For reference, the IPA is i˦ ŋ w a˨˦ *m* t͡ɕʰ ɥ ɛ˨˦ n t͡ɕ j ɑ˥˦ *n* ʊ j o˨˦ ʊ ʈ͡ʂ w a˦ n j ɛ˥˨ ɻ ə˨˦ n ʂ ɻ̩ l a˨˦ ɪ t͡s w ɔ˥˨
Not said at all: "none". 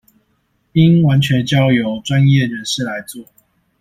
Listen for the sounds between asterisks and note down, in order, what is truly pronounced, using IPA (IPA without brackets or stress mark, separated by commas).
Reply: n, none